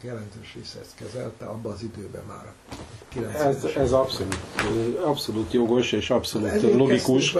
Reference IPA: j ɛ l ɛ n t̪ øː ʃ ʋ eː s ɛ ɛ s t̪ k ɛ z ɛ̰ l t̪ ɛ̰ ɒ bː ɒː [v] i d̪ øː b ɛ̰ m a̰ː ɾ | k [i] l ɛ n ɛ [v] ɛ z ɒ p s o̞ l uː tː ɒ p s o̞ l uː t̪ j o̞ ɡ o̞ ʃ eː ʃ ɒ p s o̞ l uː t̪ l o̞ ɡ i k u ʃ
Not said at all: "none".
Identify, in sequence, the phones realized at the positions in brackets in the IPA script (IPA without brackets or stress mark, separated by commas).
z, i, z